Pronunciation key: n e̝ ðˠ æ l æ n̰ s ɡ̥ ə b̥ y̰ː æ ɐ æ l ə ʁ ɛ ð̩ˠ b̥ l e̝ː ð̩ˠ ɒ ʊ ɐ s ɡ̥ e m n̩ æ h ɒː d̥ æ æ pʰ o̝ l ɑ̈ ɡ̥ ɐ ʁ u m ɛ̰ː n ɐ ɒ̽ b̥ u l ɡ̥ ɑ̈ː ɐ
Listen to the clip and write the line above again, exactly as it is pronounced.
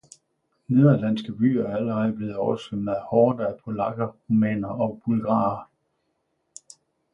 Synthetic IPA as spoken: n e̝ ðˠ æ l æ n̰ s ɡ̥ ə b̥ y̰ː æ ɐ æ l ə ʁ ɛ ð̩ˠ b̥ l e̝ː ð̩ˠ ɒ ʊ ɐ s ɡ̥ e m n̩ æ h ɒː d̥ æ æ pʰ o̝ l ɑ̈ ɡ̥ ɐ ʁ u m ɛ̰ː n ɐ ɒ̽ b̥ u l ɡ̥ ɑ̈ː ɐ